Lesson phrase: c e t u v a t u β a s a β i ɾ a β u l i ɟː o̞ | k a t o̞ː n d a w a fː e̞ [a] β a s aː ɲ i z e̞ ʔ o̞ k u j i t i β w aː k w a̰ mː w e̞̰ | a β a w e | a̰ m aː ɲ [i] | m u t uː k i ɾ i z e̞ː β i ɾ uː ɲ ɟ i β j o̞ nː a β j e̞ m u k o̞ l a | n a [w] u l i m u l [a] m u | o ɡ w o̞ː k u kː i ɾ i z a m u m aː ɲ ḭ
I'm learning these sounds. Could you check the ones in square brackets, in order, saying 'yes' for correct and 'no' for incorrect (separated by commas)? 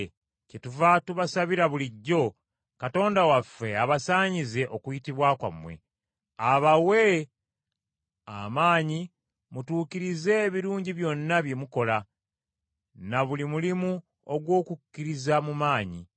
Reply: yes, yes, no, no